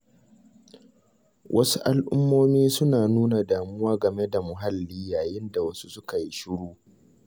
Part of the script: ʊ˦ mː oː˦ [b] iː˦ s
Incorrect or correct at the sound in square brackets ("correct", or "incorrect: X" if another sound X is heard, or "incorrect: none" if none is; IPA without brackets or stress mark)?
incorrect: m